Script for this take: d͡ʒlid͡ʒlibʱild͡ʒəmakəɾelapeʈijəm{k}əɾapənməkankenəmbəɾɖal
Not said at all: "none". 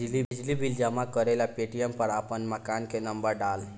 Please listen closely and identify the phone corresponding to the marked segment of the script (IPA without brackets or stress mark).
p